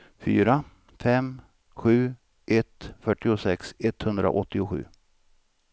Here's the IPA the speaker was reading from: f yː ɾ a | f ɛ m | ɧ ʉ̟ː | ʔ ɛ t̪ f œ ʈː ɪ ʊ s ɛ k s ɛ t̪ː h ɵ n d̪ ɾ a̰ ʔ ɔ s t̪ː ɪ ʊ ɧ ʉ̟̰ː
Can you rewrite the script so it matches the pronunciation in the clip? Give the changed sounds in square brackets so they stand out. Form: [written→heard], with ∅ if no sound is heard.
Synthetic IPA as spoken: f yː ɾ a | f ɛ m | ɧ ʉ̟ː | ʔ ɛ t̪ f œ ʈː ɪ ʊ s ɛ k s ɛ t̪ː h ɵ n d̪ ɾ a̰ ʔ ɔ [s→∅] t̪ː ɪ ʊ ɧ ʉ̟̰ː

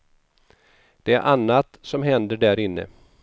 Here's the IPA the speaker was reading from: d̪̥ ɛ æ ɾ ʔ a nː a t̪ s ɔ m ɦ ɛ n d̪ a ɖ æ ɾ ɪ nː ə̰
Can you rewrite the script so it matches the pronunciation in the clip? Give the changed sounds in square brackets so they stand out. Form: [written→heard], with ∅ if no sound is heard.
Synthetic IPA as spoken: d̪̥ ɛ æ ɾ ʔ a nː a t̪ s ɔ m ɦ ɛ n d̪ [a→ə] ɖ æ ɾ ɪ nː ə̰

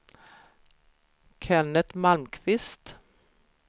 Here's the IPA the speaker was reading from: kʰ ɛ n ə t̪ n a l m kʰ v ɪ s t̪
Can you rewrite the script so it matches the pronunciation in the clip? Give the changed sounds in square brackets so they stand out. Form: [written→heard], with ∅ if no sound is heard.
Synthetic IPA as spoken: kʰ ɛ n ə t̪ [n→m] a l m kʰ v ɪ s t̪

